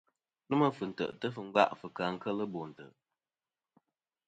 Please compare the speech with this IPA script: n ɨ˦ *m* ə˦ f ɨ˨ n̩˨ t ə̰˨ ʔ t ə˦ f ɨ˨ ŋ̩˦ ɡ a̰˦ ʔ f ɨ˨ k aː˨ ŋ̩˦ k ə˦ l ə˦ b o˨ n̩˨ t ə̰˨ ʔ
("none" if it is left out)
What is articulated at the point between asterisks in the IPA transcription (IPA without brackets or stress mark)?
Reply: m